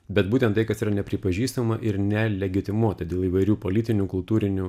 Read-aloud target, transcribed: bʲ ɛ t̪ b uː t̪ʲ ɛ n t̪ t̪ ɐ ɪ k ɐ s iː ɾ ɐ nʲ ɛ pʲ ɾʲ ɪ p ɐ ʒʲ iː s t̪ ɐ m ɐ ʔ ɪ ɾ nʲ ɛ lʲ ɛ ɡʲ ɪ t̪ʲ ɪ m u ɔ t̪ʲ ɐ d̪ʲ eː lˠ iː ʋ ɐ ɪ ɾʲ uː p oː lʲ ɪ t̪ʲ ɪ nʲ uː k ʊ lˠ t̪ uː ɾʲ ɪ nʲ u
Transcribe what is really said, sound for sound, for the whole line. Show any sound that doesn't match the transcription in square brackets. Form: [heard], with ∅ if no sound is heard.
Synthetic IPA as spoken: bʲ ɛ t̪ b uː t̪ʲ ɛ n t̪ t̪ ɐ ɪ k ɐ s iː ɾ ɐ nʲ ɛ pʲ ɾʲ ɪ p ɐ ʒʲ iː s t̪ ɐ m ɐ ʔ ɪ ɾ nʲ ɛ lʲ ɛ ɡʲ ɪ t̪ʲ ɪ m u ɔ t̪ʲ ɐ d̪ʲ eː lˠ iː ʋ ɐ ɪ ɾʲ uː p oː lʲ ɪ t̪ʲ ɪ nʲ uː k ʊ lˠ t̪ uː ɾʲ ɪ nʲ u